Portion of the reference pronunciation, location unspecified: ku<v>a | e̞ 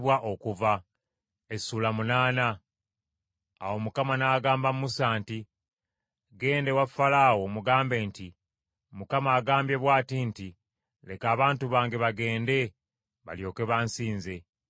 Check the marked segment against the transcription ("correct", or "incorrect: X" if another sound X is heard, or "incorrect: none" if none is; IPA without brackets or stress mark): correct